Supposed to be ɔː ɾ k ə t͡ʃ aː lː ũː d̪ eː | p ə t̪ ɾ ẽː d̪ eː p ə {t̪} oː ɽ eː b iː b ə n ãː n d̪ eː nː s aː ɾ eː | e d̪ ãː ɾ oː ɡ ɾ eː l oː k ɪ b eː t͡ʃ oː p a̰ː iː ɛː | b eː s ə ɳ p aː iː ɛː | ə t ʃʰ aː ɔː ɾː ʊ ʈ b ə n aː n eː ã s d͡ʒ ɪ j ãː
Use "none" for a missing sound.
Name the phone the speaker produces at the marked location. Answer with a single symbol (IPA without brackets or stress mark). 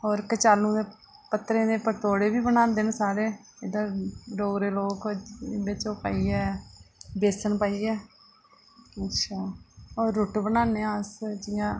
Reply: t̪